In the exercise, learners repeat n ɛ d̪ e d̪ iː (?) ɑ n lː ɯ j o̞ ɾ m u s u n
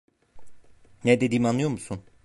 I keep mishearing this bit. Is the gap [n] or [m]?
m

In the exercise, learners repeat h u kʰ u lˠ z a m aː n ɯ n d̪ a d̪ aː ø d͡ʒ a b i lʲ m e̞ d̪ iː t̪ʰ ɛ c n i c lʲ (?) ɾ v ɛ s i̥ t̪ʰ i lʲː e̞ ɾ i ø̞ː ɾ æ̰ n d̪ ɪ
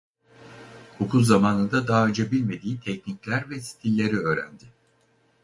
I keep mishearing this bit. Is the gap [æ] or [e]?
æ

